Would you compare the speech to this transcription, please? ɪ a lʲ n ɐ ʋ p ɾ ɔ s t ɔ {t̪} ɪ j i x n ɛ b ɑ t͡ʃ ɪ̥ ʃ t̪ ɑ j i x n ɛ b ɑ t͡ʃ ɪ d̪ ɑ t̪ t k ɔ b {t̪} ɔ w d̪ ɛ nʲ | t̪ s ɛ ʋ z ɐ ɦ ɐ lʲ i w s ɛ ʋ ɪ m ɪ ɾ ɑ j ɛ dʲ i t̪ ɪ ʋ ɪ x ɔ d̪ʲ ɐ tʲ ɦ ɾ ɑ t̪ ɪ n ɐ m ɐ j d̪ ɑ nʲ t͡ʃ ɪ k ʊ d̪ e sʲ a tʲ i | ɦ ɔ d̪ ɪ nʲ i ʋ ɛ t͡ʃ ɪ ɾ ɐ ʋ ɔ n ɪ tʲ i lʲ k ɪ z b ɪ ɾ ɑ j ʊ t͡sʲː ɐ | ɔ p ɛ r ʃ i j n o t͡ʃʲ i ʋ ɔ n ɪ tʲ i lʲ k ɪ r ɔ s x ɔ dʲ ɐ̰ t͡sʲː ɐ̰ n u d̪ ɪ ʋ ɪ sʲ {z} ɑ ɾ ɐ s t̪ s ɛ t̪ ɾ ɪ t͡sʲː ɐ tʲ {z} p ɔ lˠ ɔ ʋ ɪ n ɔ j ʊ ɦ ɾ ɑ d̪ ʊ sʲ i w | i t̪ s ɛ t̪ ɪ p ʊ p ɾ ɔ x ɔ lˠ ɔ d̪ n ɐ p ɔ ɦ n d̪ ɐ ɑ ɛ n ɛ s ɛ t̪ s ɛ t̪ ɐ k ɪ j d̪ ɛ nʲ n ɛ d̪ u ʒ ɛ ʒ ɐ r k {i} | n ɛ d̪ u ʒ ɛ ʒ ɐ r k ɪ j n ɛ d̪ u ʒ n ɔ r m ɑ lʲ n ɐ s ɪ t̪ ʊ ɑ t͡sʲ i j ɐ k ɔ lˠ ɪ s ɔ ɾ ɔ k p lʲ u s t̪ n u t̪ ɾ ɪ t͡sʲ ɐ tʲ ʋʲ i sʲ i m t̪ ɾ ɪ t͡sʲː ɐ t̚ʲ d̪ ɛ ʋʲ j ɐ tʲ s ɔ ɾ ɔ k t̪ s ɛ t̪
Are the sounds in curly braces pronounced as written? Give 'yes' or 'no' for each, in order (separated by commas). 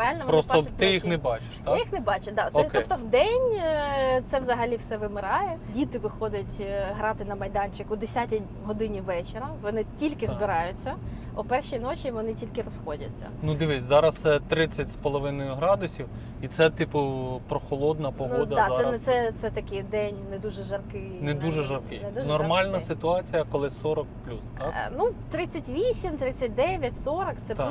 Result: yes, yes, yes, no, no